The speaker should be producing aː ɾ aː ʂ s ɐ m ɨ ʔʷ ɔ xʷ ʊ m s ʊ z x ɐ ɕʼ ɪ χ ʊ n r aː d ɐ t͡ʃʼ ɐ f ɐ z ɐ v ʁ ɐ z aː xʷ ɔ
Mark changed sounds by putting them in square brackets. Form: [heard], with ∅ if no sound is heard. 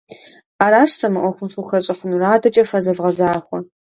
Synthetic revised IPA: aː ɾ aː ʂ s ɐ m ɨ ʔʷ ɔ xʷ ʊ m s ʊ [∅] x ɐ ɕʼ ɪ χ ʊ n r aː d ɐ t͡ʃʼ ɐ f ɐ z ɐ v ʁ ɐ z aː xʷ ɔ

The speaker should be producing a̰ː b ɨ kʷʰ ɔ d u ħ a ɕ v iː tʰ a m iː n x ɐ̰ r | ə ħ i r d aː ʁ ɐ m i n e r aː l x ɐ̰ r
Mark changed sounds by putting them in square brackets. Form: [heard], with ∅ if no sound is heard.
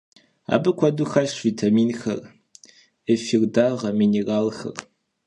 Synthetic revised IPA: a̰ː b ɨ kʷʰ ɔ d u [x] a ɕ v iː tʰ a m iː n x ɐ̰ r | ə [f] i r d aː ʁ ɐ m i n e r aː l x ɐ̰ r

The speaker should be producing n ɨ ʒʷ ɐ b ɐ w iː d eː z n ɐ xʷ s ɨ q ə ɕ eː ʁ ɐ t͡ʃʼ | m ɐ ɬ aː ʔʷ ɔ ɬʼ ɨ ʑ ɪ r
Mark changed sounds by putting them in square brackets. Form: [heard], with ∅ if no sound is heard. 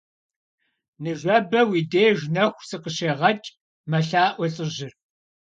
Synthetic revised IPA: n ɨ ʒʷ ɐ b ɐ w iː d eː [ʒ] n ɐ xʷ s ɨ q ə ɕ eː ʁ ɐ t͡ʃʼ | m ɐ ɬ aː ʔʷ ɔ ɬʼ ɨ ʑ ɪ r

